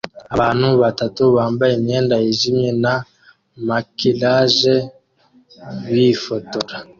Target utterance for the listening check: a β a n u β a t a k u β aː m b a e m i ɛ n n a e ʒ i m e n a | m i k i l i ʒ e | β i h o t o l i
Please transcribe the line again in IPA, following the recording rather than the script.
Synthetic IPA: a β a n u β a t a t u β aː m b a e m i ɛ n d a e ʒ i m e n a | m a k i l a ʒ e | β i f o t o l a